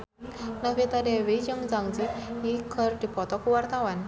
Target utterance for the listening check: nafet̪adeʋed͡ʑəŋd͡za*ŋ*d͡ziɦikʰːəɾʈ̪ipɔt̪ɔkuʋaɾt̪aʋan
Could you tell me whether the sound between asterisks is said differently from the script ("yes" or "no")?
no